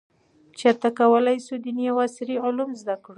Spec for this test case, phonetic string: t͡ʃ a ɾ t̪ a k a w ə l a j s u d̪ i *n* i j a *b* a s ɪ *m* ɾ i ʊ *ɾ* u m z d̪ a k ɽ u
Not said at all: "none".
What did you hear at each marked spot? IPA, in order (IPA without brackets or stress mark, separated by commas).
n, w, none, l